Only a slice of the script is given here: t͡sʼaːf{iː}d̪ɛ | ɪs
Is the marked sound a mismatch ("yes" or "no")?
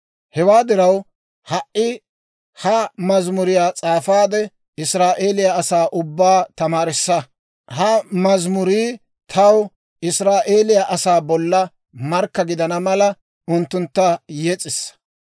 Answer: yes